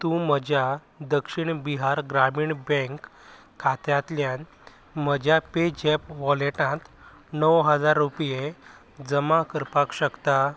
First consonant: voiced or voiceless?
voiceless